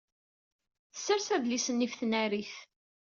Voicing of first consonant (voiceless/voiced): voiceless